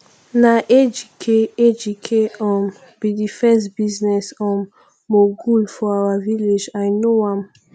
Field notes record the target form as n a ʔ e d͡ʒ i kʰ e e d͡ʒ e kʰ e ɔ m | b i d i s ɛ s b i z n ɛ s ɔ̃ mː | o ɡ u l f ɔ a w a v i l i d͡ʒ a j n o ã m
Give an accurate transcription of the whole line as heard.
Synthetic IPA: n a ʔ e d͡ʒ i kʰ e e d͡ʒ i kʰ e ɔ m | b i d i f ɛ s b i z n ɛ s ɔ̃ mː | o ɡ u l f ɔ a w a v i l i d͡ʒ a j n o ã m

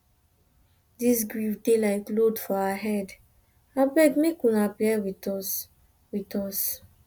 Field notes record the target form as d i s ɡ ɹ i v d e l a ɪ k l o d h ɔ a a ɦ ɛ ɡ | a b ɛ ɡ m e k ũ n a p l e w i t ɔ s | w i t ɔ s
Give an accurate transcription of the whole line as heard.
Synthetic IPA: d i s ɡ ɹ i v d e l a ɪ k l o d f ɔ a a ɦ ɛ d | a b ɛ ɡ m e k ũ n a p l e w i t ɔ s | w i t ɔ s

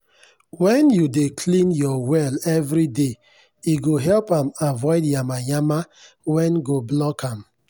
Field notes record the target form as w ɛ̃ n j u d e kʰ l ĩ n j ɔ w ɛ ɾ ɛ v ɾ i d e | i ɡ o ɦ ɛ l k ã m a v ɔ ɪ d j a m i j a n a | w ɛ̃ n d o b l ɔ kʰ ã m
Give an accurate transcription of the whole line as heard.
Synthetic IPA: w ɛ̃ n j u d e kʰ l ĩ n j ɔ w ɛ l ɛ v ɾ i d e | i ɡ o ɦ ɛ l p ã m a v ɔ ɪ d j a m a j a m a | w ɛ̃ n ɡ o b l ɔ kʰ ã m

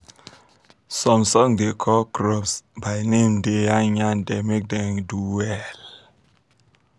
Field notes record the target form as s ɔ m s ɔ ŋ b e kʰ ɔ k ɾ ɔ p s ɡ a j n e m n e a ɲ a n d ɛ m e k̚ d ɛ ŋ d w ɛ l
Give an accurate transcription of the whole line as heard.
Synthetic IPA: s ɔ m s ɔ ŋ d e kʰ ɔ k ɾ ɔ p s b a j n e m d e a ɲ a n d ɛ m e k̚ d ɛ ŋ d u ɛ l

